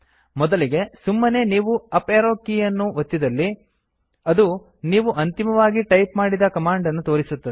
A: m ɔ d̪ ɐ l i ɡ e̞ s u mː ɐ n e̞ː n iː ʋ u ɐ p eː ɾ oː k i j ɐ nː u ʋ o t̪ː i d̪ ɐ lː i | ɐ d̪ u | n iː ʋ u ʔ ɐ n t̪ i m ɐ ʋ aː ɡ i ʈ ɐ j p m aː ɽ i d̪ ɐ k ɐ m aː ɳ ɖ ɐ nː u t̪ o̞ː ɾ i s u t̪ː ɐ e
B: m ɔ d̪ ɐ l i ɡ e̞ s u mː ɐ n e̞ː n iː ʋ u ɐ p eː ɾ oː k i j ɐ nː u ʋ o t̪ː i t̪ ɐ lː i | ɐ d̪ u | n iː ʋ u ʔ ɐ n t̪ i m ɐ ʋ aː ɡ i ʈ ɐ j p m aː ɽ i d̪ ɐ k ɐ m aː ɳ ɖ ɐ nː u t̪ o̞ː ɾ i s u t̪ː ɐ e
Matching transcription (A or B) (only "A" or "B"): A